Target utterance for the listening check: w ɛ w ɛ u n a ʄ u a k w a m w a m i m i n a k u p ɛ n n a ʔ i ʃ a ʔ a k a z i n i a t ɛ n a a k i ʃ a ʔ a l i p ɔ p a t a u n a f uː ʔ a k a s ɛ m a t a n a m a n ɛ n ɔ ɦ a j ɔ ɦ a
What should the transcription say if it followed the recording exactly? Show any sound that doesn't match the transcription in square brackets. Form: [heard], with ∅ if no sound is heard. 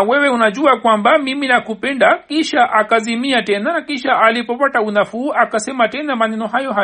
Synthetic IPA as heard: w ɛ w ɛ u n a ʄ u a k w a m [b] a m i m i n a k u p ɛ n [d] a [k] i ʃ a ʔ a k a z i [m] i a t ɛ n a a k i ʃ a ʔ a l i p ɔ p a t a u n a f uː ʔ a k a s ɛ m a t [ɛ] n a m a n ɛ n ɔ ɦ a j ɔ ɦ a